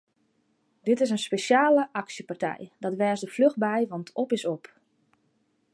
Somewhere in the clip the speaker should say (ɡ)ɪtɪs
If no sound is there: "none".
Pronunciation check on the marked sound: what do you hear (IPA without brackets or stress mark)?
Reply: d